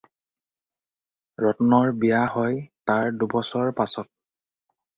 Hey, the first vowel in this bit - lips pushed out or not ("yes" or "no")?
yes